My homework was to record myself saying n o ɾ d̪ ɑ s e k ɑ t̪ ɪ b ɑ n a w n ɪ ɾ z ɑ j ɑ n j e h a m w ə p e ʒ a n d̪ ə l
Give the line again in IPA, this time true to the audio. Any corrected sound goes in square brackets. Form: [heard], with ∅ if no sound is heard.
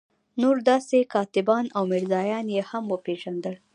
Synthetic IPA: n o ɾ d̪ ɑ s e k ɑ t̪ ɪ b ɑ n a w [m] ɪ ɾ z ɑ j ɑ n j e h a m w ə p e ʒ a n d̪ ə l